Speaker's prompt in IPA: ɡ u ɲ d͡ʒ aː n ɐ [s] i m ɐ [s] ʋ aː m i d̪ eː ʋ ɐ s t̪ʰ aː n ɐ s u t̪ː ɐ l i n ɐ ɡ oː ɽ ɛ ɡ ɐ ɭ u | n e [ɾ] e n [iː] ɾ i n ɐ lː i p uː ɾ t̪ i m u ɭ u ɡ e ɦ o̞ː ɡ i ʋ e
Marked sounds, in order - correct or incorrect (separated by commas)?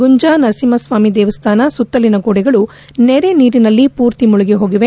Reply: correct, correct, correct, correct